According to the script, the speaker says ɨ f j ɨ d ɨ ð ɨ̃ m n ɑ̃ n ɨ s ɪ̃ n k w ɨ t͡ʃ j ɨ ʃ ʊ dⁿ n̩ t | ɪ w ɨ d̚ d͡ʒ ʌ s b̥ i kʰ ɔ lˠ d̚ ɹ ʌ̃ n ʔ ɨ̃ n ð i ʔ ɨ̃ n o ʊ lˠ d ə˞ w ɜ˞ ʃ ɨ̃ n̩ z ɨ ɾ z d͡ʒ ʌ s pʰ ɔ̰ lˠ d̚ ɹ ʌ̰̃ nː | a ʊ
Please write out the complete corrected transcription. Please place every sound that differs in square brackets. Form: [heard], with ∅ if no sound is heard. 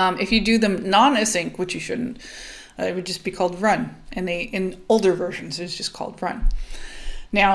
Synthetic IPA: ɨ f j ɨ d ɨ ð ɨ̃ m n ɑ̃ n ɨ s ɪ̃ [ŋ] k w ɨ t͡ʃ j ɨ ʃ ʊ dⁿ n̩ t | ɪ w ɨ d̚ d͡ʒ ʌ s b̥ i kʰ ɔ lˠ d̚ ɹ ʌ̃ n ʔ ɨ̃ n ð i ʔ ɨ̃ n o ʊ lˠ d ə˞ [v] ɜ˞ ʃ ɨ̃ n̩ z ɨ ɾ z d͡ʒ ʌ s [kʰ] ɔ̰ lˠ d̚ ɹ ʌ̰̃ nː | a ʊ